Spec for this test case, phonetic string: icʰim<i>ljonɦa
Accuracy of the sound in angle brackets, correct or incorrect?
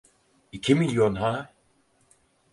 correct